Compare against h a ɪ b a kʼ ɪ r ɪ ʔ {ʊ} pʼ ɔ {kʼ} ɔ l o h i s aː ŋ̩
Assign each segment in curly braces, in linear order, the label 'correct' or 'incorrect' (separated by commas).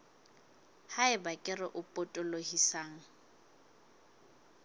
correct, incorrect